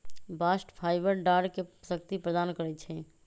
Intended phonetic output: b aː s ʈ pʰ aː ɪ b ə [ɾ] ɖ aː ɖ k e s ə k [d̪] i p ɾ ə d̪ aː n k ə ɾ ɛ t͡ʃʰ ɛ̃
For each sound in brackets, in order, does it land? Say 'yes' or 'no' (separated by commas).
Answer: yes, no